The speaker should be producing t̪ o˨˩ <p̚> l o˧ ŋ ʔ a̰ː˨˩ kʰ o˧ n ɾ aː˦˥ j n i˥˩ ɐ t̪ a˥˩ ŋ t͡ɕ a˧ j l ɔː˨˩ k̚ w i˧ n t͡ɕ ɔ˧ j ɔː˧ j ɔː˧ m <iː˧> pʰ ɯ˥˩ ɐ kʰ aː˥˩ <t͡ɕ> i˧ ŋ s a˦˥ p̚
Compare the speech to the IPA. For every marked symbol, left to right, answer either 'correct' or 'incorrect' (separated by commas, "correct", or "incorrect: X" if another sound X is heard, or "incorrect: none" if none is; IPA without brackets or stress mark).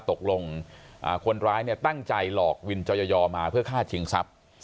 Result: incorrect: k̚, incorrect: aː˧, incorrect: t͡ɕʰ